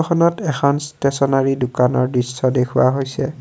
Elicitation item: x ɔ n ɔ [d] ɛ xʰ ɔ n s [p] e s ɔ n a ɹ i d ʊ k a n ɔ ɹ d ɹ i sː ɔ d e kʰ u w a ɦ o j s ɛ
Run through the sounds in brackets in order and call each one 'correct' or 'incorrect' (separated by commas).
incorrect, incorrect